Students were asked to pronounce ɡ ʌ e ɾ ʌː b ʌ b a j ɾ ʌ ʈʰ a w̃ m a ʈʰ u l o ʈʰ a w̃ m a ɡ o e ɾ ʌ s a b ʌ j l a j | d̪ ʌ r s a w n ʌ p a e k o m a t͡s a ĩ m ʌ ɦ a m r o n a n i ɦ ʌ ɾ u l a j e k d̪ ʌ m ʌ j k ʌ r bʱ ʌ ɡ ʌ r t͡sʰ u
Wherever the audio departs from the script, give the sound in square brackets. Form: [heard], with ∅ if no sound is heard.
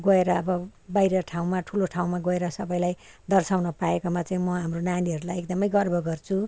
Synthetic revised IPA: ɡ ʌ e ɾ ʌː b ʌ b a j ɾ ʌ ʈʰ a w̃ m a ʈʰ u l o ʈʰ a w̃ m a ɡ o e ɾ ʌ s [ʌ] b ʌ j l a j | d̪ ʌ r s a w n ʌ p a e k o m a t͡s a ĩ m ʌ ɦ a m r o n a n i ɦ ʌ ɾ u l a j e k d̪ ʌ m ʌ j [ɡ] ʌ r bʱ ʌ ɡ ʌ r t͡sʰ u